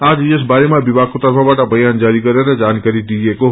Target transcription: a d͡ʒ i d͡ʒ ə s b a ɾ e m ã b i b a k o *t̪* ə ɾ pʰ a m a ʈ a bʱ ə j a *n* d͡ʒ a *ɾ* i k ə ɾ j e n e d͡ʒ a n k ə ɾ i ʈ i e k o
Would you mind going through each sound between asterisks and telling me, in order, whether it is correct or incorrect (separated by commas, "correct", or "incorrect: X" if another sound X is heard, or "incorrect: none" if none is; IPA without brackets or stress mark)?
correct, correct, correct